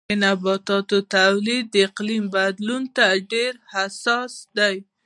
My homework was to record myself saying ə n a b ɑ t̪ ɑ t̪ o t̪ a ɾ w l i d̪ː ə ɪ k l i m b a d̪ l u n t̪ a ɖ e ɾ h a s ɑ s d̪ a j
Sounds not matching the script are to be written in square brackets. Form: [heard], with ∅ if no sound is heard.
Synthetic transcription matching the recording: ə n a b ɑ t̪ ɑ t̪ o t̪ a [∅] w l i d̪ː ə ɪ [q] l i m b a d̪ l u n t̪ a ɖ e ɾ h a s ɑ s d̪ a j